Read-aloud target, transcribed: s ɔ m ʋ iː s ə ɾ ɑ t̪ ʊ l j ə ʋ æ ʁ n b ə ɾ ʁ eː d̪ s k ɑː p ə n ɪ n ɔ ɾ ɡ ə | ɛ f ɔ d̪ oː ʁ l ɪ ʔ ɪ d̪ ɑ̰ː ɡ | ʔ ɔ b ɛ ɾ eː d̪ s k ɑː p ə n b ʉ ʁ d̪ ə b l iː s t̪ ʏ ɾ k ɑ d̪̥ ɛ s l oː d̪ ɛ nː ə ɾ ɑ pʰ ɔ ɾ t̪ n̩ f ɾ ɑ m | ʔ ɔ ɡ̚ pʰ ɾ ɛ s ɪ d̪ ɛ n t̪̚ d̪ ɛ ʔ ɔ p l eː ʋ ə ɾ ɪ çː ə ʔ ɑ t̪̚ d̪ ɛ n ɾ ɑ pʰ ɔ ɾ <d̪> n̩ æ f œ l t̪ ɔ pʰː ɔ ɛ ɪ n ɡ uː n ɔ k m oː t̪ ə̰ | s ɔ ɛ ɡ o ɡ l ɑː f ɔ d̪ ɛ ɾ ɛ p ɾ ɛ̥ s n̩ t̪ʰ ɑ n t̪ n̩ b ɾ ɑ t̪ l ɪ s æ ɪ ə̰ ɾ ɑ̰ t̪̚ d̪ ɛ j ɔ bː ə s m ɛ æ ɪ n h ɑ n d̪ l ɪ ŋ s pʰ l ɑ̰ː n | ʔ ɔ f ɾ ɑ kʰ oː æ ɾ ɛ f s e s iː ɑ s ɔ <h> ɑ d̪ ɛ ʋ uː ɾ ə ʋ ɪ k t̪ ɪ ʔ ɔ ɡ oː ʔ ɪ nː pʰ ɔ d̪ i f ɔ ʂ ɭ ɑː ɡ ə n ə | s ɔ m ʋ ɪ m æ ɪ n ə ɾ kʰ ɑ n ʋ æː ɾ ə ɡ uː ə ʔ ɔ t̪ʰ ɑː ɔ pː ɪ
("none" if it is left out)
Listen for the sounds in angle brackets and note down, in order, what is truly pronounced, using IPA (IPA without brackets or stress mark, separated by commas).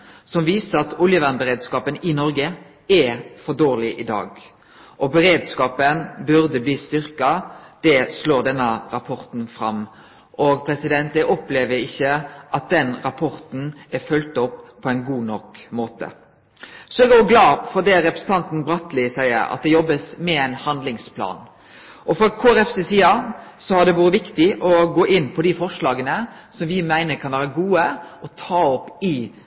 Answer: t̪, h